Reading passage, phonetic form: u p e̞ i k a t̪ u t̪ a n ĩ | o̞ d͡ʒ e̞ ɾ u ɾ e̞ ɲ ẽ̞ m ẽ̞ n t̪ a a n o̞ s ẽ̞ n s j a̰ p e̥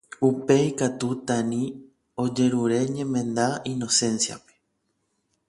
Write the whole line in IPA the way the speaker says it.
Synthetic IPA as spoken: u p e̞ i k a t̪ u t̪ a n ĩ | o̞ d͡ʒ e̞ ɾ u ɾ e̞ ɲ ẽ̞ m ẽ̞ n d̪ a i n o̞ s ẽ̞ n s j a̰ p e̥